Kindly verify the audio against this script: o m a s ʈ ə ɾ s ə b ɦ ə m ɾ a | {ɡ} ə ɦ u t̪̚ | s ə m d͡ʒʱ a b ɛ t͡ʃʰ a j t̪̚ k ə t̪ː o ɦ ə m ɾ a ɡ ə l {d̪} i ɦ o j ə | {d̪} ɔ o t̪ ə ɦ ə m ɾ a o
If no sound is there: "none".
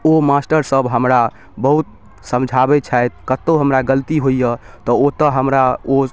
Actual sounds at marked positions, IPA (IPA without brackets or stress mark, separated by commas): b, t̪, t̪